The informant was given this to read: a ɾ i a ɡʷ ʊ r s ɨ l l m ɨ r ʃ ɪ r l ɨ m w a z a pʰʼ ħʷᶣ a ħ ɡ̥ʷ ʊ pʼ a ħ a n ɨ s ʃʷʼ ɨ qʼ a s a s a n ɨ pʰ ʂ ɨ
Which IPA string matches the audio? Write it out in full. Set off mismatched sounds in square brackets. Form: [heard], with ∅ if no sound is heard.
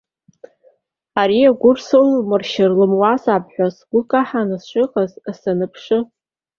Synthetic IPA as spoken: a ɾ i a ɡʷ ʊ r s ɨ l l m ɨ r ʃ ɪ r l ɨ m w a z a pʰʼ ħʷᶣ a [s] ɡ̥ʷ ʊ [kʼ] a ħ a n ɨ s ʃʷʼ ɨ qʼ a [z] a s a n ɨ pʰ ʂ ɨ

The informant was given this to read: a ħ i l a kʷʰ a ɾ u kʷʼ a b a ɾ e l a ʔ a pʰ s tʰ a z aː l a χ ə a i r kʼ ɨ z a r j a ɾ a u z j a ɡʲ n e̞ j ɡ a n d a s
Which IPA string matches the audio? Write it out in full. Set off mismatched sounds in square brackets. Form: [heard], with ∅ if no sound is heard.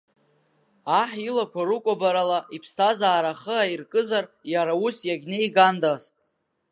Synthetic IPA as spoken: a ħ i l a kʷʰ a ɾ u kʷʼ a b a ɾ [a] l a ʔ [i] pʰ s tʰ a z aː [ɾ] a χ ə a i r kʼ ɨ z a r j a ɾ a u [s] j a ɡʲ n e̞ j ɡ a n d a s

